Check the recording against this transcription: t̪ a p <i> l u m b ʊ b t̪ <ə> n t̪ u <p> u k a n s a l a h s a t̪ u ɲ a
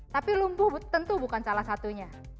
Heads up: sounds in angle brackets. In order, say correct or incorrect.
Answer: correct, correct, incorrect: b

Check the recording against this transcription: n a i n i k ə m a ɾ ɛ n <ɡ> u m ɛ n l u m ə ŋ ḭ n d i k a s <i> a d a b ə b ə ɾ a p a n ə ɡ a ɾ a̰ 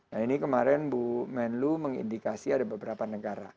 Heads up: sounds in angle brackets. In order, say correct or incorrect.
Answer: incorrect: b, correct

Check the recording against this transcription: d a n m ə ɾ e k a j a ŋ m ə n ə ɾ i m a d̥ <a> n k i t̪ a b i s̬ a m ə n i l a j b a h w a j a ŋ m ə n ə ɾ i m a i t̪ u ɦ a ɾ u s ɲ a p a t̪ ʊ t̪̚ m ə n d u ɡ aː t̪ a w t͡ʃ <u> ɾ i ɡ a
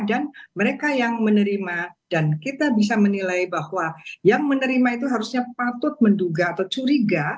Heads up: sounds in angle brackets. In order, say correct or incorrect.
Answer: correct, correct

